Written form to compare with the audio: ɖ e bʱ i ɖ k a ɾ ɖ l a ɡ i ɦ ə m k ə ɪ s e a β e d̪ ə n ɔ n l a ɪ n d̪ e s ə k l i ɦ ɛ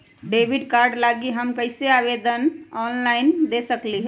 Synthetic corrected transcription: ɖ e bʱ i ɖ k a ɾ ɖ l a ɡ i ɦ ə m k ə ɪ s e a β e d̪ ə n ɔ n l a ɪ n d̪ e s ə k l i ɦ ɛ